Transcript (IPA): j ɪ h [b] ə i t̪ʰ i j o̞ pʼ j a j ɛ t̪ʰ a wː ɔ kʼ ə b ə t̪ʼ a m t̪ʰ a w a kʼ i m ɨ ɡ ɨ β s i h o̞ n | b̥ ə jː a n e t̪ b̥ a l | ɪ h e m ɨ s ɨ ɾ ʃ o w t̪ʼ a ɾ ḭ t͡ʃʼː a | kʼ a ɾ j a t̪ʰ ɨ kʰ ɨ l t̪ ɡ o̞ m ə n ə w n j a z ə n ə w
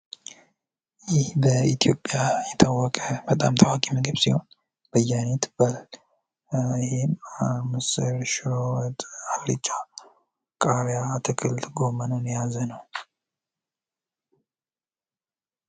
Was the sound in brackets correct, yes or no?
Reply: yes